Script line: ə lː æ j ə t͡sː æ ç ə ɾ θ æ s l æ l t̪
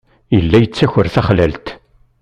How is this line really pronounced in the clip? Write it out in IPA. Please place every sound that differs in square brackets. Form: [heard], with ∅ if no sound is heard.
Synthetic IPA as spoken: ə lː æ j ə t͡sː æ ç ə ɾ θ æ [χ] l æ l t̪

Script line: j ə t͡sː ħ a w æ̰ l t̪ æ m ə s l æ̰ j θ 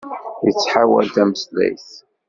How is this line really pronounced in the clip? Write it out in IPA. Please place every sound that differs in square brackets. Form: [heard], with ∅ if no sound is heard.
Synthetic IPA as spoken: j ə t͡sː ħ a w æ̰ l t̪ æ m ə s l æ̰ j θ

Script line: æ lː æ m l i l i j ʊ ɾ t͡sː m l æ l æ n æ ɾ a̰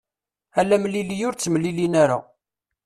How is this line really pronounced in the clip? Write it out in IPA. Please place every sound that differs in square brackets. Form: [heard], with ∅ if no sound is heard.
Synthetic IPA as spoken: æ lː æ m l i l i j ʊ ɾ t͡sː m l [i] l [i] n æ ɾ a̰

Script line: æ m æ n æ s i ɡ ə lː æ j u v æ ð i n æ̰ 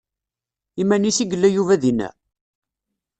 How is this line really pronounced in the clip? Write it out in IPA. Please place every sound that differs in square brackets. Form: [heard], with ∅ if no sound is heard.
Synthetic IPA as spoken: [i] m æ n [i] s i ɡ ə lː æ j u v æ ð i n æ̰

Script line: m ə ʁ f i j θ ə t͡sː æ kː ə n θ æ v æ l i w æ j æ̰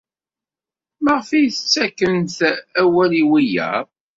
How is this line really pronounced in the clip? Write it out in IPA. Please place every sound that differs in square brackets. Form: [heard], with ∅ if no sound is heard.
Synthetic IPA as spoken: m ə ʁ f i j θ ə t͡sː æ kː ə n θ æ [w] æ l i w [i] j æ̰

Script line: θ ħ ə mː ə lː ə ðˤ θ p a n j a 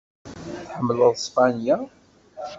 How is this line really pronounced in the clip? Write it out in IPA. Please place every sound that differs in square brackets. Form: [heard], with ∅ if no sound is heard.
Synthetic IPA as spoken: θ ħ ə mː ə [l] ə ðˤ [s] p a n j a

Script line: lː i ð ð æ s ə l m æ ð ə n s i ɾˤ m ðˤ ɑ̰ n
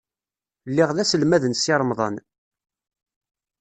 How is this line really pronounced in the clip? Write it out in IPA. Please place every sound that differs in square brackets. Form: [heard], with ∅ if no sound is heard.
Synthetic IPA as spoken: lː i [ʁ] ð æ s ə l m æ ð ə n s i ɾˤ m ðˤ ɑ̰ n

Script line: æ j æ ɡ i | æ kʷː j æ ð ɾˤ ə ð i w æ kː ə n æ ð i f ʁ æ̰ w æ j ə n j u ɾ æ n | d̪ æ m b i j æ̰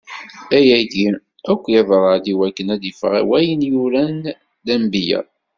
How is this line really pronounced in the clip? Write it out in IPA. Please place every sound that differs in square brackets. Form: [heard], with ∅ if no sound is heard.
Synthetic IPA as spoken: æ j æ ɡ i | æ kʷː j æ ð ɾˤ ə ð i w æ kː ə n æ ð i f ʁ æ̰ w æ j ə n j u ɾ æ n | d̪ æ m b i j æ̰

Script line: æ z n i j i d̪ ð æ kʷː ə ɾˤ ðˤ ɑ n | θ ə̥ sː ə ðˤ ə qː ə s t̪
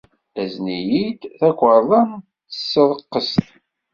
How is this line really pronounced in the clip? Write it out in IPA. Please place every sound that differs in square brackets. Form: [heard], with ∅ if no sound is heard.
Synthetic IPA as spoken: æ z n i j i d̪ [θ] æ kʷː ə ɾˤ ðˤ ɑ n | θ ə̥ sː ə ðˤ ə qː ə s t̪

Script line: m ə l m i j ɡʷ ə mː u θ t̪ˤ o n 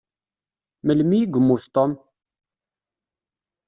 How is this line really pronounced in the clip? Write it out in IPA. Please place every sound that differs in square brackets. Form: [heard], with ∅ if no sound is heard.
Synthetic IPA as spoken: m ə l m i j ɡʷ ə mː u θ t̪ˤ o [m]

